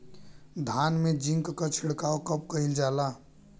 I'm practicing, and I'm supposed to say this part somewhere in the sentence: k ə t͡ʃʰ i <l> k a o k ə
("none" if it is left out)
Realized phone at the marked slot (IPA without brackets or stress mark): ɽ